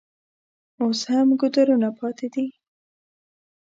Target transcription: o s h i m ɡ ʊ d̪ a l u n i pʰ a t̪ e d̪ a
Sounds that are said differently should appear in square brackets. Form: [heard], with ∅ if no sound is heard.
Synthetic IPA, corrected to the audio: o s h [a] m ɡ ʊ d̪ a [ɾ] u n [a] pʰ [ɑ] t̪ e d̪ [i]